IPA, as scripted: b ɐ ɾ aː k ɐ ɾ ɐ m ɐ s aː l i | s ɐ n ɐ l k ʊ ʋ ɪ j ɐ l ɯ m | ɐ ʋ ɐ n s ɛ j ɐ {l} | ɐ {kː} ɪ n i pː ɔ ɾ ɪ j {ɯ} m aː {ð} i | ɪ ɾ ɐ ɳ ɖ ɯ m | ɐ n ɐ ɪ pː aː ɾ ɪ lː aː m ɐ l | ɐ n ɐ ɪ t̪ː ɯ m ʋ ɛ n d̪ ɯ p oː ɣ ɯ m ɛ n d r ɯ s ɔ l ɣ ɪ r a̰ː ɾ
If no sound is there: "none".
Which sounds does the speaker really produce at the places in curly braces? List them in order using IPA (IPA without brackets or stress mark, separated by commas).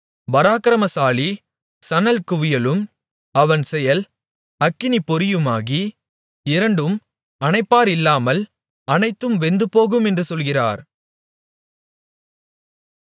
l, kː, ɯ, ɣ